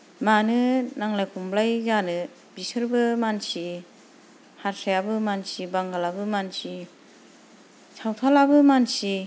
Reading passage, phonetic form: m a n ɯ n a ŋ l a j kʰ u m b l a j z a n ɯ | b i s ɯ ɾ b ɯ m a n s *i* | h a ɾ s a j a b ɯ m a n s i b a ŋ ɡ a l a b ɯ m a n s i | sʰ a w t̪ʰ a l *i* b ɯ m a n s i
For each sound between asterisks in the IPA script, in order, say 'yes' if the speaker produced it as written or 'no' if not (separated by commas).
yes, no